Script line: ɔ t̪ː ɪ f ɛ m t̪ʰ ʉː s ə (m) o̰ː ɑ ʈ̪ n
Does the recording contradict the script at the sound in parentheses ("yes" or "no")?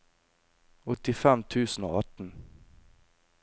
yes